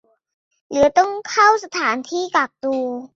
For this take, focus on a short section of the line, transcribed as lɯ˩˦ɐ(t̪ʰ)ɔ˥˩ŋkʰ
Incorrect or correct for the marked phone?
incorrect: t̪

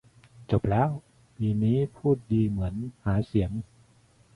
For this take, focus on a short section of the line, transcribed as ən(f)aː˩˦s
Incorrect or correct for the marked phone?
incorrect: h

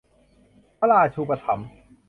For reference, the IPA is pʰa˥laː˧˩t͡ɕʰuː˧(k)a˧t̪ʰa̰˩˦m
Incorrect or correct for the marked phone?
incorrect: p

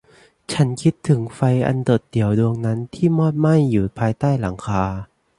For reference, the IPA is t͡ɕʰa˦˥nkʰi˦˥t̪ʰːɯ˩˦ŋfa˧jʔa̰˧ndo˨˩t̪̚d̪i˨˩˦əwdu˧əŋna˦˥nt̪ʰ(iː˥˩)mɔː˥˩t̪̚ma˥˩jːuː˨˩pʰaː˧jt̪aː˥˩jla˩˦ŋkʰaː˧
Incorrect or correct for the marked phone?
correct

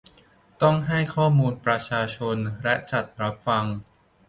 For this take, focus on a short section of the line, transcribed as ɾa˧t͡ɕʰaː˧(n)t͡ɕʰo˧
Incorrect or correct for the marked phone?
incorrect: none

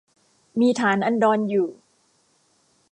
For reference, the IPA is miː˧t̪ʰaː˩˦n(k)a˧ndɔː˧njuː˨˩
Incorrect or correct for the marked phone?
incorrect: ʔ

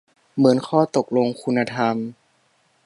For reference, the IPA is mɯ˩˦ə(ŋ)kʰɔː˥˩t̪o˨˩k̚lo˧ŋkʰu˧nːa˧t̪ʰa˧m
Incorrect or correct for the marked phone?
incorrect: n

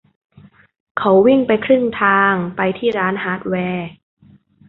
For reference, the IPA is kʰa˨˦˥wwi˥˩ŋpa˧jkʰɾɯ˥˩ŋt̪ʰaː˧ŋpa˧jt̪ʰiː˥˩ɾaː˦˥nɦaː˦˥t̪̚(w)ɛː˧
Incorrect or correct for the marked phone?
correct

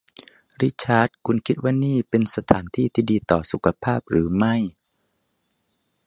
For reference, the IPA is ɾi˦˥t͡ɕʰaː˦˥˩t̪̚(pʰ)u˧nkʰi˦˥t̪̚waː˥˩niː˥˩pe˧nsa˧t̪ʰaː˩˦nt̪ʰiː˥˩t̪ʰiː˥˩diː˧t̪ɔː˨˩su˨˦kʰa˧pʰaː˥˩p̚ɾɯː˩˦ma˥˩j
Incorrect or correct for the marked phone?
incorrect: kʰ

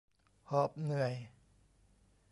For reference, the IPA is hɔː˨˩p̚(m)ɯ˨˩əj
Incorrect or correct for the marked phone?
incorrect: n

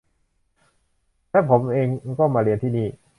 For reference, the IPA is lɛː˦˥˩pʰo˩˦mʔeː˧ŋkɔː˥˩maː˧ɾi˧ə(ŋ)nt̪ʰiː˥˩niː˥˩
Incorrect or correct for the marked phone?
incorrect: none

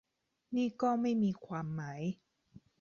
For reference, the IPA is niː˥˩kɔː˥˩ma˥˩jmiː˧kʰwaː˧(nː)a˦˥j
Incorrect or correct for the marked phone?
incorrect: mː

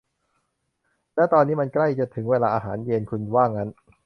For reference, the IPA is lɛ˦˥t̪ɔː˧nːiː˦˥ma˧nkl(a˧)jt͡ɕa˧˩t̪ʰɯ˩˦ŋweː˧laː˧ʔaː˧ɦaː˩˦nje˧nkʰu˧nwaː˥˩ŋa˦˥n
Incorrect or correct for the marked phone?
incorrect: a˥˩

